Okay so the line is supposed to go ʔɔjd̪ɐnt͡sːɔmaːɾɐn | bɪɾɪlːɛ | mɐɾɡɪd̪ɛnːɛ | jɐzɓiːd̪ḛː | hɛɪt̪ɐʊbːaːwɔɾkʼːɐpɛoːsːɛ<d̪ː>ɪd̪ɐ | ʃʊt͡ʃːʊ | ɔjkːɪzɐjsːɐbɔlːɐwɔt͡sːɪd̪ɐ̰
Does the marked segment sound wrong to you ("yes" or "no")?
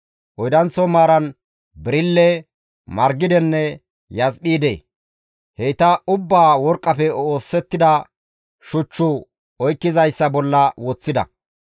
yes